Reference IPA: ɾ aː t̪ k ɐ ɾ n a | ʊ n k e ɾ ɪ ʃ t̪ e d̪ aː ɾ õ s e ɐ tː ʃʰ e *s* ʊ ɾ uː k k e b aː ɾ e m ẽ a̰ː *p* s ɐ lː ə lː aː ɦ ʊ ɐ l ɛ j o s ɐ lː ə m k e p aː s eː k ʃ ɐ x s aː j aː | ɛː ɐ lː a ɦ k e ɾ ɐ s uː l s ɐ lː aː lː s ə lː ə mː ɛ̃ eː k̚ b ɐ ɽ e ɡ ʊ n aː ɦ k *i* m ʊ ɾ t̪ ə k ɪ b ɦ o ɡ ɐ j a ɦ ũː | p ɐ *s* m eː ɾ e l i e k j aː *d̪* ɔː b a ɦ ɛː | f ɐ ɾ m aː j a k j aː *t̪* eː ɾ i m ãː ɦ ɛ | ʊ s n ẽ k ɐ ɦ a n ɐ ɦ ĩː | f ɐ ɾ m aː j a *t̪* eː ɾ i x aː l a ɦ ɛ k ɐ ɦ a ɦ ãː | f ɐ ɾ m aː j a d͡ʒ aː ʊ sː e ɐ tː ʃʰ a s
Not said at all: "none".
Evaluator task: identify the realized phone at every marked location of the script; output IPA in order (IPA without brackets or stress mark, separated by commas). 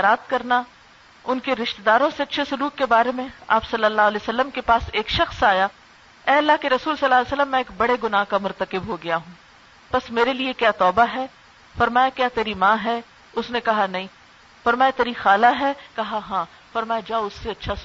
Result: s, p, a, s, t̪, t̪, t̪